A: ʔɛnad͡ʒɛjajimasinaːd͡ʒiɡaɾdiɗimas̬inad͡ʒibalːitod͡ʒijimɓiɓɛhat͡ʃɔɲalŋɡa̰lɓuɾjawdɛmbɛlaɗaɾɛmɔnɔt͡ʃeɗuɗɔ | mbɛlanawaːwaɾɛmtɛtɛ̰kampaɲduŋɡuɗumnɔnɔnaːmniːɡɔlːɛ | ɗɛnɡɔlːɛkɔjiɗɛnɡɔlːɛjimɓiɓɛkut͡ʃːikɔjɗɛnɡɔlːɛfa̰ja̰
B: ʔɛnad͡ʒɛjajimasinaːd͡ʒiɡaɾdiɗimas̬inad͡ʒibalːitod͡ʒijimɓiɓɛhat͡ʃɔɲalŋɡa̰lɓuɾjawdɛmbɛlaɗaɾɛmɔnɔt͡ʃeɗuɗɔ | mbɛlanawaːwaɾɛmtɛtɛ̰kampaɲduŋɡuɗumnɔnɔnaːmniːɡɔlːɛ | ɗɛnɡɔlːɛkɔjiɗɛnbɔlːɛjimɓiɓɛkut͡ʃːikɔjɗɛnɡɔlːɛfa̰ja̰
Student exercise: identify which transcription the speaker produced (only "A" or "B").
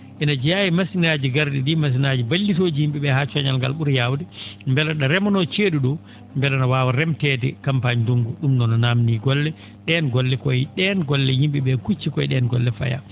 A